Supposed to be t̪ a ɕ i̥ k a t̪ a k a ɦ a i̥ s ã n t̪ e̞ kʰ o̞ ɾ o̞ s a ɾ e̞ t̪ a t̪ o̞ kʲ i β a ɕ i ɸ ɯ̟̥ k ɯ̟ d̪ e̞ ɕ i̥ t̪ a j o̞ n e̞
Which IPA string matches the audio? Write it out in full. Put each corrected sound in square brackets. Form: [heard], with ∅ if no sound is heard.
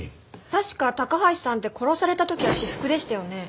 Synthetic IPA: t̪ a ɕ i̥ k a t̪ a k a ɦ a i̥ s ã n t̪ e̞ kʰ o̞ ɾ o̞ s a ɾ e̞ t̪ a t̪ o̞ kʲ i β a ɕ i ɸ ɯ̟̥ k ɯ̟ d̪ e̞ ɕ i̥ t̪ a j o̞ n e̞